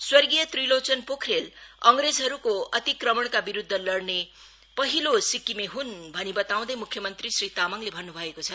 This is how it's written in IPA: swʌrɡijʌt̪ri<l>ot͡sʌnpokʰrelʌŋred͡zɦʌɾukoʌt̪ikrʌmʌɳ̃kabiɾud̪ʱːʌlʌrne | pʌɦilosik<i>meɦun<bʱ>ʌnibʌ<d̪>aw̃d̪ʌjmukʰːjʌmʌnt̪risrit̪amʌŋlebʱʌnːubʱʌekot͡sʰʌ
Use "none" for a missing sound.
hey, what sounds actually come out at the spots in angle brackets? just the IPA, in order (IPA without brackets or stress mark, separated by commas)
l, i, bʱ, t̪